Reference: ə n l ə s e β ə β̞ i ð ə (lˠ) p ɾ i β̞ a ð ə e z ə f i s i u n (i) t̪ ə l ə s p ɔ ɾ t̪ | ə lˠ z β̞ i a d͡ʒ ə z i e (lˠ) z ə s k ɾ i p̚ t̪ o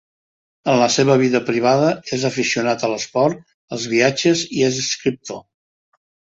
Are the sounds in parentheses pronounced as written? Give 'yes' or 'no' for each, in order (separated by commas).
no, no, no